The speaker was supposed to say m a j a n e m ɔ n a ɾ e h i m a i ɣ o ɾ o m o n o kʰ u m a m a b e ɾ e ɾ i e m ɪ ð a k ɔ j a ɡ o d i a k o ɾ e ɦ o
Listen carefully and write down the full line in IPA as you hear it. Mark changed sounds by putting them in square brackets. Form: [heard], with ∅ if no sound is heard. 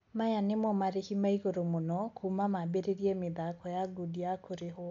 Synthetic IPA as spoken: m a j a n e m ɔ [m] a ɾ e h i m a i ɣ o ɾ o m o n [ɔ] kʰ u m a m a b e ɾ e ɾ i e m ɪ ð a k ɔ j a ɡ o d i a k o ɾ e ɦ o